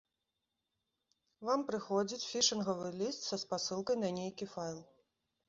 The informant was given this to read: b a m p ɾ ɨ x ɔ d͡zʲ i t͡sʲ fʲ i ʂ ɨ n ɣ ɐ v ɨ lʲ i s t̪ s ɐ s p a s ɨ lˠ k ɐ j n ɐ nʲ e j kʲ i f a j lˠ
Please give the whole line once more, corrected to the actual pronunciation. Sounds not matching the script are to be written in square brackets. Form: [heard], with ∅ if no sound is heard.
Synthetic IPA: [v] a m p ɾ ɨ x ɔ d͡zʲ i t͡sʲ fʲ i ʂ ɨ n ɣ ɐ v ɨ lʲ i s t̪ s ɐ s p a s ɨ lˠ k ɐ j n ɐ nʲ e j kʲ i f a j lˠ